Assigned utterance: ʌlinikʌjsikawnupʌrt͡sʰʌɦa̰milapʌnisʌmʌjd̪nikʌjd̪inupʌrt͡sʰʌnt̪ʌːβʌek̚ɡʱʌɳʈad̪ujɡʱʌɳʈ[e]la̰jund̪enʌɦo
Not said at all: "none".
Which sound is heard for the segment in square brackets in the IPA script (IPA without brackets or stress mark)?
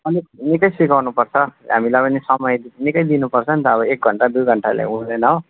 a